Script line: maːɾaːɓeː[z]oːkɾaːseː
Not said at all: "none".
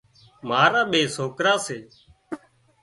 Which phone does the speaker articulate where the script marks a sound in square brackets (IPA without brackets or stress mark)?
s